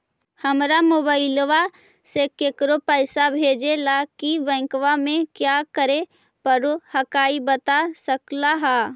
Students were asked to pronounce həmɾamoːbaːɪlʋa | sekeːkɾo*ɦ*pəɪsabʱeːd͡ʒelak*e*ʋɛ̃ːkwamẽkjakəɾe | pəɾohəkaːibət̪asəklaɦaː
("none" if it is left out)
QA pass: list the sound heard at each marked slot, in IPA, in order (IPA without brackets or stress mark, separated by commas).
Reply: none, i